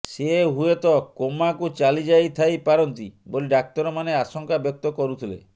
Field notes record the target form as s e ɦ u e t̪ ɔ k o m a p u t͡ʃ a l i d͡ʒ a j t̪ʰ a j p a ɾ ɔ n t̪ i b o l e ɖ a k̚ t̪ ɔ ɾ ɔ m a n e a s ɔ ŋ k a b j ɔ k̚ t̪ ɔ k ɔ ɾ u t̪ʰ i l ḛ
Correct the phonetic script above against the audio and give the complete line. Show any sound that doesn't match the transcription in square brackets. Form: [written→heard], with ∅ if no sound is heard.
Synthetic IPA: s e ɦ u e t̪ ɔ k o m a [p→k] u t͡ʃ a l i d͡ʒ a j t̪ʰ a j p a ɾ ɔ n t̪ i b o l [e→i] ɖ a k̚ t̪ ɔ ɾ ɔ m a n e a s ɔ ŋ k a b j ɔ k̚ t̪ ɔ k ɔ ɾ u t̪ʰ i l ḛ